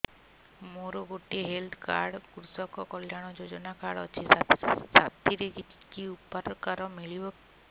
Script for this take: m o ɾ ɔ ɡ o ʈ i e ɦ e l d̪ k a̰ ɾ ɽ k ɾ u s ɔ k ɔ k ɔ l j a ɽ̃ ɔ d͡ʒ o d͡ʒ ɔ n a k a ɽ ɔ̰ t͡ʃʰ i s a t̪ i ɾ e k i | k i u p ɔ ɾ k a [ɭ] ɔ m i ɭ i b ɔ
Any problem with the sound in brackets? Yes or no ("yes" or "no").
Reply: yes